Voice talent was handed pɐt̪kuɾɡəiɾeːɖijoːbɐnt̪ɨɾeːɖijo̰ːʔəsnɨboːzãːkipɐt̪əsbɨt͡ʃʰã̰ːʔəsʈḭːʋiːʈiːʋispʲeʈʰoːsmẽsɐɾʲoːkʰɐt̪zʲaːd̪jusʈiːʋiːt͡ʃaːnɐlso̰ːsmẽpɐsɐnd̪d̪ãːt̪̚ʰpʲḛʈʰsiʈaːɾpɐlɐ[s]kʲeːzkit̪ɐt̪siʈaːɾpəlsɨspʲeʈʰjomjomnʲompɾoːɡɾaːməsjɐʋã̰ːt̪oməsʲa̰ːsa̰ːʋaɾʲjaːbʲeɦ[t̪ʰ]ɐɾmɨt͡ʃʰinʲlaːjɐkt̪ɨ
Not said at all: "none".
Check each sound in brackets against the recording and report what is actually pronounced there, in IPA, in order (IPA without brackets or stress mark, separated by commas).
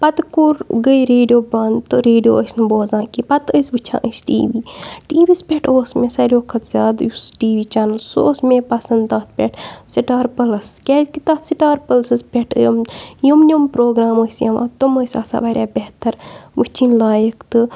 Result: s, t̪